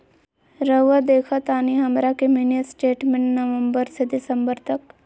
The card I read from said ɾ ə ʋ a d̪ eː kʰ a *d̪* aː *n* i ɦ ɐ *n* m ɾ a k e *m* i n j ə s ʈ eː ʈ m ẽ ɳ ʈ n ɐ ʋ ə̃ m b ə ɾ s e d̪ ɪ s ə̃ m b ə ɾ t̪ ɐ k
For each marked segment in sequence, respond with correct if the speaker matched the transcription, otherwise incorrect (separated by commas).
incorrect, correct, incorrect, correct